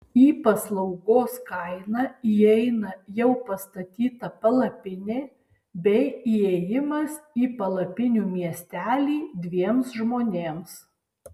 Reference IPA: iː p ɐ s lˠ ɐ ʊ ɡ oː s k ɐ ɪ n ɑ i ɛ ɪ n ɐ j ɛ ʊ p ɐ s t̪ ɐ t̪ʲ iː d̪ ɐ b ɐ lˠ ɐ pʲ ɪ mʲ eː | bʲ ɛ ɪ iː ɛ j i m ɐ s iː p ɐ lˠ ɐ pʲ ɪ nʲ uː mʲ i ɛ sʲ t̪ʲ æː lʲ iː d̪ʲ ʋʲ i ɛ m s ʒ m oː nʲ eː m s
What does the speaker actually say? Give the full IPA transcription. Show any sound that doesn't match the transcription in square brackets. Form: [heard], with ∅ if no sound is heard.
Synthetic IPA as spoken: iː p ɐ s lˠ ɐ ʊ ɡ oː s k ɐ ɪ n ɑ i ɛ ɪ n ɐ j ɛ ʊ p ɐ s t̪ ɐ t̪ʲ iː [t̪] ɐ [p] ɐ lˠ ɐ pʲ ɪ [nʲ] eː | bʲ ɛ ɪ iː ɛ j [ɪ] m ɐ s iː p ɐ lˠ ɐ pʲ ɪ nʲ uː mʲ i ɛ sʲ t̪ʲ æː lʲ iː d̪ʲ ʋʲ i ɛ m s ʒ m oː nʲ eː m s